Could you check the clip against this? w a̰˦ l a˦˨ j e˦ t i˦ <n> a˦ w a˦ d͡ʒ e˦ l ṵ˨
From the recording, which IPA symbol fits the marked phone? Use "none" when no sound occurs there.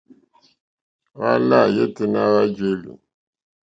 n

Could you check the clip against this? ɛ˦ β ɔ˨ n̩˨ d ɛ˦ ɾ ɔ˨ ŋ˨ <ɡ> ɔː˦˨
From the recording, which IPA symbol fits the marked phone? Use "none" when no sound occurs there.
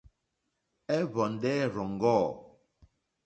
ɡ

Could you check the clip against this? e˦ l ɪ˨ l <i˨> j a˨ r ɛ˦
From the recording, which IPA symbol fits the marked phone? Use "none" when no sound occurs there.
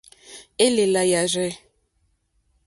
a˨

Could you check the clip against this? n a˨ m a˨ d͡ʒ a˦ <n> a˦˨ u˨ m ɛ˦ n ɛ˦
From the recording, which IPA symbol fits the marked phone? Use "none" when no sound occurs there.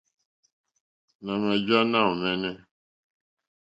n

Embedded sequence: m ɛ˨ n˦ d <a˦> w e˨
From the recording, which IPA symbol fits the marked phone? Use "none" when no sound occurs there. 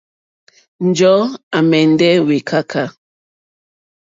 ɛ˦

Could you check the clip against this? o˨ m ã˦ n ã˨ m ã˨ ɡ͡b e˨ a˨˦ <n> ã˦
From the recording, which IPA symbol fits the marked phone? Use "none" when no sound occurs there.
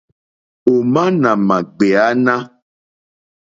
n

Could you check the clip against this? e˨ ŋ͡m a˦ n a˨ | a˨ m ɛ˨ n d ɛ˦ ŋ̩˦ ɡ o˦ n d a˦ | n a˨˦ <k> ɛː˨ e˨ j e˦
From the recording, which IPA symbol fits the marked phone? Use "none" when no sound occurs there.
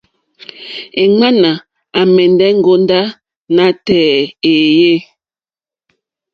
t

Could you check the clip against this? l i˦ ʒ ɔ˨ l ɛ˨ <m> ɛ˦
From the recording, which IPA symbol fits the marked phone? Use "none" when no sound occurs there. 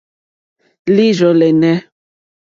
n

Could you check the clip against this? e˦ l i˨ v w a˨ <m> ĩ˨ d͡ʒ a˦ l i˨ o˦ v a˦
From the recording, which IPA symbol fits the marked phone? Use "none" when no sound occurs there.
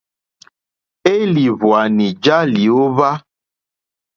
n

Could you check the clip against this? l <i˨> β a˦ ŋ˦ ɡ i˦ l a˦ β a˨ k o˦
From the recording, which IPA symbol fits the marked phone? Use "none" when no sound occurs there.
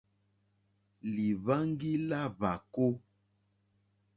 i˨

